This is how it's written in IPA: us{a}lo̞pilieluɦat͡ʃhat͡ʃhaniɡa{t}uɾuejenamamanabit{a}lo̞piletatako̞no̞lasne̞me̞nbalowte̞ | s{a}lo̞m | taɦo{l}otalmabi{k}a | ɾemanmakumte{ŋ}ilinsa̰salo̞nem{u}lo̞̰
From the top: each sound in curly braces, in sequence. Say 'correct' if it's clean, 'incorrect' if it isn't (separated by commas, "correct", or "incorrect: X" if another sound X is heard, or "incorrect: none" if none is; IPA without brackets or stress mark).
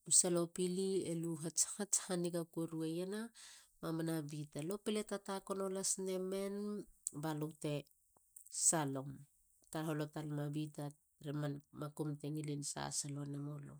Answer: correct, incorrect: k, correct, correct, correct, incorrect: t, correct, incorrect: o